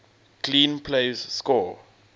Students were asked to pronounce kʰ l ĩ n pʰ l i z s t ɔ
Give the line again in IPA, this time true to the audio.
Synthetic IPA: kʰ l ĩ n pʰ l e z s k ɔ